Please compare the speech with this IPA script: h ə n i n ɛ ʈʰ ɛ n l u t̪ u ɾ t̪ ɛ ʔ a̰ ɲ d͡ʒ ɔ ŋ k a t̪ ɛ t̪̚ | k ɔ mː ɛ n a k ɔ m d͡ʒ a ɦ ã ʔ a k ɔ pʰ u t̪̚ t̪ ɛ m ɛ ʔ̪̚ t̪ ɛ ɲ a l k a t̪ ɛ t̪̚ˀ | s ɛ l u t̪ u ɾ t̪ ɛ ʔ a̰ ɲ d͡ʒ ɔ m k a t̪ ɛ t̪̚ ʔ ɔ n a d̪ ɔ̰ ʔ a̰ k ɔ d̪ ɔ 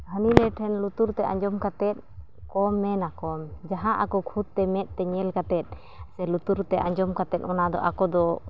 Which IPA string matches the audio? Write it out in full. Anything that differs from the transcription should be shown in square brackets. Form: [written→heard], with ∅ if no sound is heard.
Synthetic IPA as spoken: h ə n i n ɛ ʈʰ ɛ n l u t̪ u ɾ t̪ ɛ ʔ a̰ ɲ d͡ʒ ɔ [ŋ→m] k a t̪ ɛ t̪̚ | k ɔ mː ɛ n a k ɔ m d͡ʒ a ɦ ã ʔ a k ɔ [pʰ→kʰ] u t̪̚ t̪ ɛ m ɛ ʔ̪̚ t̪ ɛ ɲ [a→ɛ] l k a t̪ ɛ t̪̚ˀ | s ɛ l u t̪ u ɾ t̪ ɛ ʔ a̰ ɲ d͡ʒ ɔ m k a t̪ ɛ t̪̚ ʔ ɔ n a d̪ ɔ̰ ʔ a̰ k ɔ d̪ ɔ